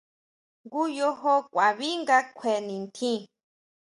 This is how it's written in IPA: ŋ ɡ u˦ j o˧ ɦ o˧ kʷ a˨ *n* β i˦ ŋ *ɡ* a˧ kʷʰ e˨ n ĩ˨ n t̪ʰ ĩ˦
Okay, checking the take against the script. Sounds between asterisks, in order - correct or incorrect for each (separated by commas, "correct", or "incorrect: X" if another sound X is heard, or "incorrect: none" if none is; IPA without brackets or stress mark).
incorrect: none, correct